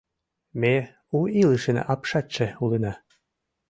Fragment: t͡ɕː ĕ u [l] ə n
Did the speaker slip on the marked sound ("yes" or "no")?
no